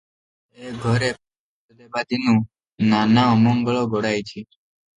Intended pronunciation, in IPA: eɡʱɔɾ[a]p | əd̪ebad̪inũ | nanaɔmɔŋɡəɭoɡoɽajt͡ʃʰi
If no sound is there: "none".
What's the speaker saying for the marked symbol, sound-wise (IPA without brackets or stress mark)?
e